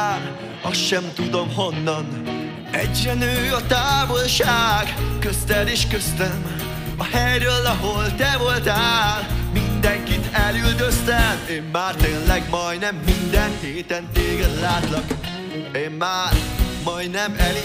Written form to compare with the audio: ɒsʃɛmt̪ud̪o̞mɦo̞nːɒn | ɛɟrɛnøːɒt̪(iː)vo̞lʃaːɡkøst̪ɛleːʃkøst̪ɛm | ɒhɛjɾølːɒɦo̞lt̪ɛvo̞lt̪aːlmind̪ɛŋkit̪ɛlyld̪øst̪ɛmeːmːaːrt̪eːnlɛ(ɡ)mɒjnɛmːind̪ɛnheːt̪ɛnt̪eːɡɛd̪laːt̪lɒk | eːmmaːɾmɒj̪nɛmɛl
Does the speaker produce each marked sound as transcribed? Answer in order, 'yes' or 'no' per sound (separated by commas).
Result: no, yes